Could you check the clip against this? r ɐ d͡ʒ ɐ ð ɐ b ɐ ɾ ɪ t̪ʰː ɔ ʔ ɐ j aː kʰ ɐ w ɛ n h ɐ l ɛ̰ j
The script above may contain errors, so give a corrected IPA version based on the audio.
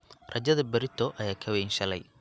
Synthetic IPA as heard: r ɐ d͡ʒ ɐ ð ɐ b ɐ ɾ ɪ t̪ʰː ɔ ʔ ɐ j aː kʰ ɐ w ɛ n ʃ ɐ l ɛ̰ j